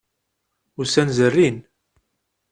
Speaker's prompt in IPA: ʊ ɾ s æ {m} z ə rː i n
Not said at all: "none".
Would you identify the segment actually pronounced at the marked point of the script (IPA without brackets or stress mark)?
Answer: n